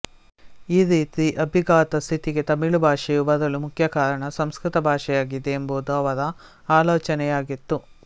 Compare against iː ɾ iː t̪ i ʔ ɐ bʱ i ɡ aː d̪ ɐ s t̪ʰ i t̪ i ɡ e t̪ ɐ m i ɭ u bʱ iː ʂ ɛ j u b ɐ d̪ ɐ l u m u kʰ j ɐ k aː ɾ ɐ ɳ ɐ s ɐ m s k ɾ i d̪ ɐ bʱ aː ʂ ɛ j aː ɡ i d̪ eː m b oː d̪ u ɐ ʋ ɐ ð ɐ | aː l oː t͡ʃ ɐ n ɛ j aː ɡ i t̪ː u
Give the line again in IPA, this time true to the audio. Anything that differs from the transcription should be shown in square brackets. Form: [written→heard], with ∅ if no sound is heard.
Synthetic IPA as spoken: iː ɾ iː t̪ i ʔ ɐ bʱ i ɡ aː [d̪→t̪] ɐ s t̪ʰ i t̪ i ɡ e t̪ ɐ m i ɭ u bʱ [iː→aː] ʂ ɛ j u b ɐ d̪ ɐ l u m u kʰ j ɐ k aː ɾ ɐ ɳ ɐ s ɐ m s k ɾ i [d̪→t̪] ɐ bʱ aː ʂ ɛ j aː ɡ i d̪ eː m b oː d̪ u ɐ ʋ ɐ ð ɐ | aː l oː t͡ʃ ɐ n ɛ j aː ɡ i t̪ː u

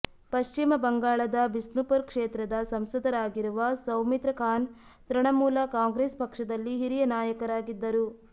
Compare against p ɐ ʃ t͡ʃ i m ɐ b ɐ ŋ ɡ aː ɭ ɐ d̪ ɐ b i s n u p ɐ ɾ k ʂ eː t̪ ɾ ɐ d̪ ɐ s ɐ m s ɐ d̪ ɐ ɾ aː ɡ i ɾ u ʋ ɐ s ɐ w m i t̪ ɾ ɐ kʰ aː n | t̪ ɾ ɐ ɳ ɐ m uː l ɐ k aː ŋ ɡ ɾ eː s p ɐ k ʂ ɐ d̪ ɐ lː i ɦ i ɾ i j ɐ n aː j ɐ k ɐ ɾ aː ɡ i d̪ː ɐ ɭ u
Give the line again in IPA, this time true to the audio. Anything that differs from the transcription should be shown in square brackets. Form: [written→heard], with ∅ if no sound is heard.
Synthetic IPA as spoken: p ɐ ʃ t͡ʃ i m ɐ b ɐ ŋ ɡ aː ɭ ɐ d̪ ɐ b i s n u p ɐ ɾ k ʂ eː t̪ ɾ ɐ d̪ ɐ s ɐ m s ɐ d̪ ɐ ɾ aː ɡ i ɾ u ʋ ɐ s ɐ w m i t̪ ɾ ɐ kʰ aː n | t̪ ɾ ɐ ɳ ɐ m uː l ɐ k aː ŋ ɡ ɾ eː s p ɐ k ʂ ɐ d̪ ɐ lː i ɦ i ɾ i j ɐ n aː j ɐ k ɐ ɾ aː ɡ i d̪ː ɐ [ɭ→ɾ] u

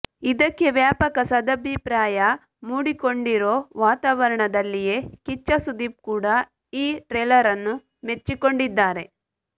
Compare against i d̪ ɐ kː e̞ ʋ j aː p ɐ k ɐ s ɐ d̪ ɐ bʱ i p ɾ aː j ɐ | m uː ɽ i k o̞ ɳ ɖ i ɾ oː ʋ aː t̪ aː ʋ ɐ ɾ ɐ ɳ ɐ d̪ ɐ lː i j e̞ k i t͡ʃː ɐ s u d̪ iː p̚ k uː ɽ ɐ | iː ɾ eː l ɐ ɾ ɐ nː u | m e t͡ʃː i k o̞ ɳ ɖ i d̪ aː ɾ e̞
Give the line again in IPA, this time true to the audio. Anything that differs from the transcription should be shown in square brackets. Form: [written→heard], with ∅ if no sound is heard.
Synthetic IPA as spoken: i d̪ ɐ kː e̞ ʋ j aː p ɐ k ɐ s ɐ d̪ ɐ bʱ i p ɾ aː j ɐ | m uː ɽ i k o̞ ɳ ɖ i ɾ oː ʋ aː t̪ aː ʋ ɐ ɾ ɐ ɳ ɐ d̪ ɐ lː i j e̞ k i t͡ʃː ɐ s u d̪ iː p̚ k uː ɽ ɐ | iː ɾ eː l ɐ ɾ ɐ nː u | m e t͡ʃː i k o̞ ɳ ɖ i [d̪→d̪ː] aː ɾ e̞

